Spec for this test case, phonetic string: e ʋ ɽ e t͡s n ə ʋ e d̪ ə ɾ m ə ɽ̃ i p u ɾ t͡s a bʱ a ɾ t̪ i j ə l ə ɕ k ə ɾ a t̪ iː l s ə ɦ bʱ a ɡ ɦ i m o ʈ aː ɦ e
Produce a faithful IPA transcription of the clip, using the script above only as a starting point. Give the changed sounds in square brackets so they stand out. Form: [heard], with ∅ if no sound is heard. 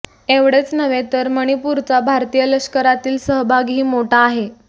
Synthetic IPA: e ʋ ɽ e t͡s n ə ʋ e [t̪] ə ɾ m ə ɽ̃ i p u ɾ t͡s a bʱ a ɾ t̪ i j ə l ə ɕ k ə ɾ a t̪ iː l s ə ɦ bʱ a ɡ ɦ [iː] m o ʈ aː ɦ e